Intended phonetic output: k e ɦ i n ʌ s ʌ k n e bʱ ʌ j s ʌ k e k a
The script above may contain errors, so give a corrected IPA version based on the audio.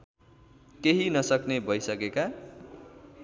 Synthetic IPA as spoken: k e ɦ i n ʌ s ʌ k n e bʱ ʌ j s ʌ k e k a